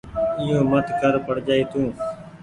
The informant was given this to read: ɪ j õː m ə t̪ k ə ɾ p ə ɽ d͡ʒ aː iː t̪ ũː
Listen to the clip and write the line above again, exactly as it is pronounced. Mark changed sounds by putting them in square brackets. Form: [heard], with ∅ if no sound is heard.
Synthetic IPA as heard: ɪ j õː m ə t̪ k ə ɾ p ə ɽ d͡ʒ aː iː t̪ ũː

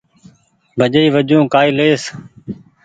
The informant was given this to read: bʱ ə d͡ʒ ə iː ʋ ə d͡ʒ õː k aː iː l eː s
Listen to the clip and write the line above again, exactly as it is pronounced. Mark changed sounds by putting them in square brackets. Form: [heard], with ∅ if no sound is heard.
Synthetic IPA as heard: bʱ ə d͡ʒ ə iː ʋ ə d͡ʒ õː k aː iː l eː s

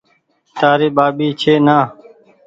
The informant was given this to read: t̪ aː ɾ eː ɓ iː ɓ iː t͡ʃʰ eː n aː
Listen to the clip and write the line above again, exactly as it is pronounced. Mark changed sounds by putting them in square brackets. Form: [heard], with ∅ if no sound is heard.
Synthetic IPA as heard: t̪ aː ɾ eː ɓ [aː] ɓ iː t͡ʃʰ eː n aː

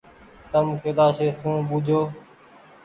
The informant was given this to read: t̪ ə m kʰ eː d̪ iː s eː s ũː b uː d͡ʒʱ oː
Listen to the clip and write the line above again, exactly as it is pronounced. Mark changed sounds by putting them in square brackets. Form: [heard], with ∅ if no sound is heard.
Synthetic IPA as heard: t̪ ə m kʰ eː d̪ [aː] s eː s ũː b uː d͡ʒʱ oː

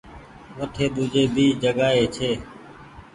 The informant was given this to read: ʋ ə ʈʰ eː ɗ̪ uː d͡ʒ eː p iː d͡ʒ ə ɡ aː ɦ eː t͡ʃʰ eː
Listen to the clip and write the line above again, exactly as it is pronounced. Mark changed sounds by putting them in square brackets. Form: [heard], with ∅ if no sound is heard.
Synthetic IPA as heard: ʋ ə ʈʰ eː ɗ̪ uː d͡ʒ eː [b] iː d͡ʒ ə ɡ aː ɦ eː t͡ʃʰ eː

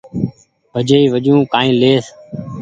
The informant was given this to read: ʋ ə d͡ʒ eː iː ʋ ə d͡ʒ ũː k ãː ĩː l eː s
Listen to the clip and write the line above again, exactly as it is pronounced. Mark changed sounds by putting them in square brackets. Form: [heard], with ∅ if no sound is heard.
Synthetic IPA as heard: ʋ ə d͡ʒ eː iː ʋ ə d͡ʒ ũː k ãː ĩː l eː s

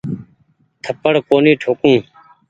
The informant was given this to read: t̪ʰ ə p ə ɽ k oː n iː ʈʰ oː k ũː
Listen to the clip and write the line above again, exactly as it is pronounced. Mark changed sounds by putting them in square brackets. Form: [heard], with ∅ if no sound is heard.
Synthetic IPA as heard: t̪ʰ ə p ə ɽ k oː n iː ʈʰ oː k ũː

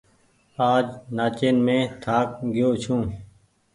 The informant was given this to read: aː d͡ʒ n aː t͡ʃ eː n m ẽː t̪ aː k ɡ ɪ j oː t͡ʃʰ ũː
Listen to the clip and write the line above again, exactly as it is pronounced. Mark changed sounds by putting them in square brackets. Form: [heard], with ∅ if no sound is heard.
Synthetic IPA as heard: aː d͡ʒ n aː t͡ʃ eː n m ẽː [t̪ʰ] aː k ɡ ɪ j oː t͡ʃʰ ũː

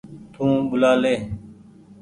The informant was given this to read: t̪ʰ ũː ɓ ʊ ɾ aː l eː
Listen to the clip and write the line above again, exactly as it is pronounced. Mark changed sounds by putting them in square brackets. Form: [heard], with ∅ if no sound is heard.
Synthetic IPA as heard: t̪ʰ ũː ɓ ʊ [l] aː l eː

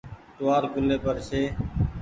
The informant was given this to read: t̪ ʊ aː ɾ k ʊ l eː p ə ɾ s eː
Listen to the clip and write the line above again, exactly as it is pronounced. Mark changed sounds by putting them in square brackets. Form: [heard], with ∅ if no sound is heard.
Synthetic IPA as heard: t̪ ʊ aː ɾ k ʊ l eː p ə ɾ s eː

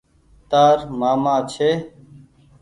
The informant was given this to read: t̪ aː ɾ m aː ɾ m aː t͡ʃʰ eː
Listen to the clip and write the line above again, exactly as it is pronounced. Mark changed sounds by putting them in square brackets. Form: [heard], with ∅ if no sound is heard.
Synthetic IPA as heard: t̪ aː ɾ m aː [∅] m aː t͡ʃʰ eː

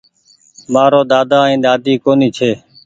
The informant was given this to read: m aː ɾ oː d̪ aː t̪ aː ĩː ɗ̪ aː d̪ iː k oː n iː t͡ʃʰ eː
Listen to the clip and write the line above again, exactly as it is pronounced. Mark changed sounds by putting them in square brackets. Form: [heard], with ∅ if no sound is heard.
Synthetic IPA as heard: m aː ɾ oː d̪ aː [d̪] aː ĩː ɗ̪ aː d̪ iː k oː n iː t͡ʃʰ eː

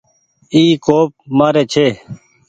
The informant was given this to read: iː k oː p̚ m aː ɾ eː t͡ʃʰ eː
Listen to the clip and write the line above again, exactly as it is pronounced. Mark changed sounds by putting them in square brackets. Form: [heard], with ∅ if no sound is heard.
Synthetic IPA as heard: iː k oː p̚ m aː ɾ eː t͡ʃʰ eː

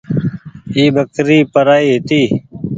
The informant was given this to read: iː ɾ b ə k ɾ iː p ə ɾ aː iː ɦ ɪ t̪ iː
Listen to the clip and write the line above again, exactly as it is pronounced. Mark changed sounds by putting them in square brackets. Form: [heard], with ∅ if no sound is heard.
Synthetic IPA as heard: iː [∅] b ə k ɾ iː p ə ɾ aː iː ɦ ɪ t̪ iː

